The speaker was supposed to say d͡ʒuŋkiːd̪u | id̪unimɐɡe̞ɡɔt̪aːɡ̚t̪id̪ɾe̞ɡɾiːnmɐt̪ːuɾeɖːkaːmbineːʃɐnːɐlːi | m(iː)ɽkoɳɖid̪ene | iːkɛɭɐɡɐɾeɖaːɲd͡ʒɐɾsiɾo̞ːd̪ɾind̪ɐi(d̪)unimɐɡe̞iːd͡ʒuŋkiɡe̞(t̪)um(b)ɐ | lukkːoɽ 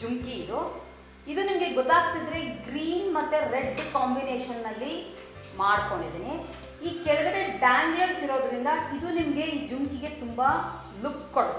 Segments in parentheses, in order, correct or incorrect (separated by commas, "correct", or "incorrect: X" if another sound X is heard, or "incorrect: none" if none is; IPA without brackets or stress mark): incorrect: aː, correct, correct, correct